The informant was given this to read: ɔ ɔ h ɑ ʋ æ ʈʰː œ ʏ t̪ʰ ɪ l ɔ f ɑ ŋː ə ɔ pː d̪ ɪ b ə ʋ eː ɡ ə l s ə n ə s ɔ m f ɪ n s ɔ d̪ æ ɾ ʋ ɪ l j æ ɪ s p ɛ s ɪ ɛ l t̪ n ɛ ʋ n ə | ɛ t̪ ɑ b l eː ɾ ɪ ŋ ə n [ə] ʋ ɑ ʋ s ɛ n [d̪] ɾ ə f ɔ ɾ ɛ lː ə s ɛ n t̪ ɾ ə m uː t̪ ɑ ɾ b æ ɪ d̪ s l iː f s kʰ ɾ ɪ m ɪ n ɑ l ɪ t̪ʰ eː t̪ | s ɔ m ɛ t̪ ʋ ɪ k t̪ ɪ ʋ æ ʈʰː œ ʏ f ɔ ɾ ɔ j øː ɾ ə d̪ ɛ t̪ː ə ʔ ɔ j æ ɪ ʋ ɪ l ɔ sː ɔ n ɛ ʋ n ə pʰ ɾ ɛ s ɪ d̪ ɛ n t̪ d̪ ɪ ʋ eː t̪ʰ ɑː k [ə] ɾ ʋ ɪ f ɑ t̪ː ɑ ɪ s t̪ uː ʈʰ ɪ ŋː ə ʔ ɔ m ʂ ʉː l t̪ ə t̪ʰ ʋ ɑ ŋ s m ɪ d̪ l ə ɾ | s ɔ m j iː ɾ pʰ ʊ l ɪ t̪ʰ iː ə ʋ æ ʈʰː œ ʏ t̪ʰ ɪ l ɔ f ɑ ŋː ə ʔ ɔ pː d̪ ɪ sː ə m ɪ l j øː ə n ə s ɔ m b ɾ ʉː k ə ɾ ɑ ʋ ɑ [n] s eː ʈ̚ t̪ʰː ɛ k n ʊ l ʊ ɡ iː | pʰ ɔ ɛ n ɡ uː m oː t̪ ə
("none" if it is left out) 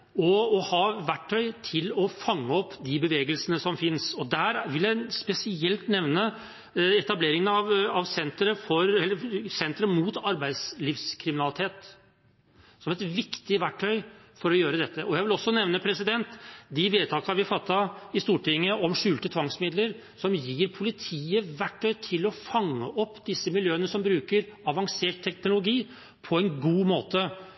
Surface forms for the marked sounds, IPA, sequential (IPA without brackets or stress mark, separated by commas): ɑ, t̪, ɑ, ŋ